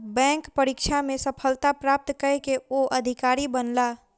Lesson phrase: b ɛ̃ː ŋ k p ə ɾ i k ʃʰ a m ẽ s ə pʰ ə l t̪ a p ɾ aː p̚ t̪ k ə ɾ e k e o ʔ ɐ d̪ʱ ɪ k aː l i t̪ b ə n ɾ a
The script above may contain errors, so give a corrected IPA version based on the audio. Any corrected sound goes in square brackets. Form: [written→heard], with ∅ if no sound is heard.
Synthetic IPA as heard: b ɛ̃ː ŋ k p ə ɾ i k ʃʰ a m ẽ s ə pʰ ə l t̪ a p ɾ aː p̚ t̪ k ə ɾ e k e o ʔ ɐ d̪ʱ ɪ k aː [l→ɾ] i [t̪→∅] b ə n [ɾ→l] a